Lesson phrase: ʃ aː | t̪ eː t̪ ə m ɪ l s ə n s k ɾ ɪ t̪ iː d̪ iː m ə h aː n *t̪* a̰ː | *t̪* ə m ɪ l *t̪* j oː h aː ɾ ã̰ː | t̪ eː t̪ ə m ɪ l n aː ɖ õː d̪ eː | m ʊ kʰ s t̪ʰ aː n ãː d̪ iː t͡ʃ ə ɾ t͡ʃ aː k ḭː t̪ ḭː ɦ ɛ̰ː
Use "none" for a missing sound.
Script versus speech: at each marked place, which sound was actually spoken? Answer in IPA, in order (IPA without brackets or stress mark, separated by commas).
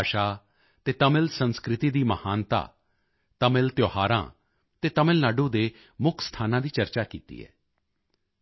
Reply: t̪, t̪, t̪